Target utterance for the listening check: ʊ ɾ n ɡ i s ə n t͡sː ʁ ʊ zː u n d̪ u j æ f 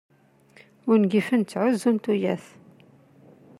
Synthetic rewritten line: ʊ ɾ n ɡ i f ə n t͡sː ʕ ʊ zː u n t̪ u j æ θ